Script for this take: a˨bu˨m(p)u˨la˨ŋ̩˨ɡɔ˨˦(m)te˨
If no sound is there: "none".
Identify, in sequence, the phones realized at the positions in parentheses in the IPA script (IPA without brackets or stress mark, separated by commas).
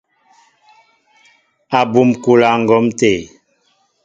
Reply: k, m